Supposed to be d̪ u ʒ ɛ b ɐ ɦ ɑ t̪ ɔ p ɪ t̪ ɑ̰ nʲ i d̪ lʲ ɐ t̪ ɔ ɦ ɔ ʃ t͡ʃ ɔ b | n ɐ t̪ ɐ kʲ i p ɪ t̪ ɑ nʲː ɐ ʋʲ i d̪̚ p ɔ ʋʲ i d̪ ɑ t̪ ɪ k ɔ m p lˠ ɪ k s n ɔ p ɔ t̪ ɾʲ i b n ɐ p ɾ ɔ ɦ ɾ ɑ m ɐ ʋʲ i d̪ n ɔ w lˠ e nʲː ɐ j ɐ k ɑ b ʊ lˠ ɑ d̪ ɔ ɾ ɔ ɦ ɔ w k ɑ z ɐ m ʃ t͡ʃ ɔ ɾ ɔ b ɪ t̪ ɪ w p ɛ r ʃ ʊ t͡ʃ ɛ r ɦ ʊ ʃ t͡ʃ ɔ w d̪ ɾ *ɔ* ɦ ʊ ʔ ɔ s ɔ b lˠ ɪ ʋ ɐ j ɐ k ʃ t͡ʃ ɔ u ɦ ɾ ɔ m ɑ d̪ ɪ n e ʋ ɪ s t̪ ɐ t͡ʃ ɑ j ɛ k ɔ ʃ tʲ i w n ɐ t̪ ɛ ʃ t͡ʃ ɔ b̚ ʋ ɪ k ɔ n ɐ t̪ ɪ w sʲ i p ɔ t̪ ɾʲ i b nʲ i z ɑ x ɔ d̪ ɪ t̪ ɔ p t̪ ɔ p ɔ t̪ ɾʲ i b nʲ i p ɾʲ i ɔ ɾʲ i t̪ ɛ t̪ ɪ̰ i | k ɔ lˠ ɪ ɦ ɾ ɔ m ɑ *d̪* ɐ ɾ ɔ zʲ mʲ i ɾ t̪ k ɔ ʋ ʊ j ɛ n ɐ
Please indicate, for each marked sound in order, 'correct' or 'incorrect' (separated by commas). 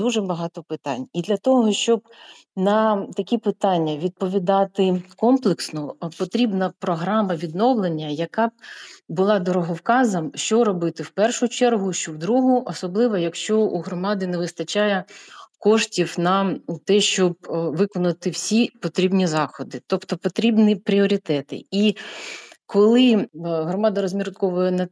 incorrect, correct